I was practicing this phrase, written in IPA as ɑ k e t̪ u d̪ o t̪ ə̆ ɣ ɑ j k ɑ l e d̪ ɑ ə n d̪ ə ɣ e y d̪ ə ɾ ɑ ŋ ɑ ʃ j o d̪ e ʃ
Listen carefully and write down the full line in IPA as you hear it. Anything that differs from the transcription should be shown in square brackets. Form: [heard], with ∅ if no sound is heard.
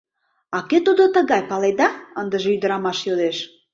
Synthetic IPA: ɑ k e t̪ u d̪ o t̪ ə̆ ɣ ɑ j [p] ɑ l e d̪ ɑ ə n d̪ ə [ʒ] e y d̪ ə ɾ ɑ [m] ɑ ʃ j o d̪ e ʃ